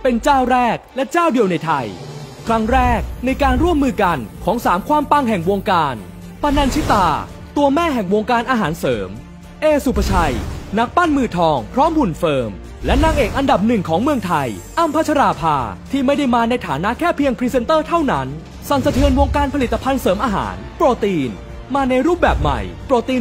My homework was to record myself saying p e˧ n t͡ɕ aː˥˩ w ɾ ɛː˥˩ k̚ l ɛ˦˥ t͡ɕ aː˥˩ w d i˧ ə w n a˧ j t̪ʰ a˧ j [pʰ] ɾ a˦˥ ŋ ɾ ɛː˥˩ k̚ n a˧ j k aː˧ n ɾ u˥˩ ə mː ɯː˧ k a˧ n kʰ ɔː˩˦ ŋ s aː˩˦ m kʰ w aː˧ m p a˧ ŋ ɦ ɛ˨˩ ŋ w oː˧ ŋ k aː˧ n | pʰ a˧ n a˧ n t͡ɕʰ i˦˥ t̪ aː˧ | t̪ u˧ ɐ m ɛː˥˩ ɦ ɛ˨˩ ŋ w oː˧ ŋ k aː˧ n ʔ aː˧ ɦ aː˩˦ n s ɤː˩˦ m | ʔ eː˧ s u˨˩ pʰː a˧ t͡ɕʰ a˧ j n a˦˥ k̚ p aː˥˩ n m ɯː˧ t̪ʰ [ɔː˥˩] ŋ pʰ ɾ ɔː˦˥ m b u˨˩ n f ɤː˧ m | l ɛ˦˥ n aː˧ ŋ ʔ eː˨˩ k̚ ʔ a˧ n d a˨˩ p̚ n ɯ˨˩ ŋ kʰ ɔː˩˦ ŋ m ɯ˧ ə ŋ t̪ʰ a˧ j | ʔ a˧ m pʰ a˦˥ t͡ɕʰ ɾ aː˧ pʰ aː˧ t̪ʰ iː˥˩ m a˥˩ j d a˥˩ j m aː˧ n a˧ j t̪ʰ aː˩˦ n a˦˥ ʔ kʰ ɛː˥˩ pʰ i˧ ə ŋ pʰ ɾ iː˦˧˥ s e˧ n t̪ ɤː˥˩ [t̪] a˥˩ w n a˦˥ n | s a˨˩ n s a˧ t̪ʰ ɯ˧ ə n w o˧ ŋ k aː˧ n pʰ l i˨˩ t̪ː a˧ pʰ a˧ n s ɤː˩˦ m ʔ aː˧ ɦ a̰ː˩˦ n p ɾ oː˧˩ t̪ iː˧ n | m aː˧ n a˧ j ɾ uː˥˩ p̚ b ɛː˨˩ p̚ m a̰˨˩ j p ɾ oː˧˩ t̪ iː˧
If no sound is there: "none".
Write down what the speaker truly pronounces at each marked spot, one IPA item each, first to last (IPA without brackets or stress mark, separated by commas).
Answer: kʰ, ɔː˧, t̪ʰ